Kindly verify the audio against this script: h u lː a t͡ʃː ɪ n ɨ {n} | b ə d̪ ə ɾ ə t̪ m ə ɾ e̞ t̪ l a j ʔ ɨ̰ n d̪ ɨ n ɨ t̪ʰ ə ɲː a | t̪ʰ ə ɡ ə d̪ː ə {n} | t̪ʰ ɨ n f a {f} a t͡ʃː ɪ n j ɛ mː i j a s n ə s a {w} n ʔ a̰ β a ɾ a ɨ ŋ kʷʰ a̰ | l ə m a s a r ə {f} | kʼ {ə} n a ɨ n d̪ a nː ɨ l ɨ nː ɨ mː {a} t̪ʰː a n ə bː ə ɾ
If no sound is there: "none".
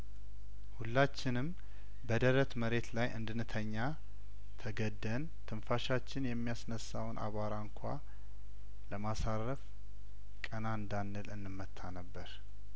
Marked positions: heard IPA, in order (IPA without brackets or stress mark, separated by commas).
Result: m, n, ʃ, w, f, ə, ə